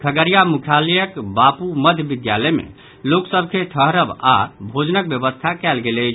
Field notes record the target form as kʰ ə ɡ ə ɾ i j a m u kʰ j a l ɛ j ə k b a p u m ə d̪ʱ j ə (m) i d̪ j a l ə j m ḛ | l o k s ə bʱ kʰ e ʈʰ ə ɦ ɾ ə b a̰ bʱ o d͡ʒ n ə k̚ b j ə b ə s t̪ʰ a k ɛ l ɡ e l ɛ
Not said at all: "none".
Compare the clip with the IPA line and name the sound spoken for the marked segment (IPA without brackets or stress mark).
b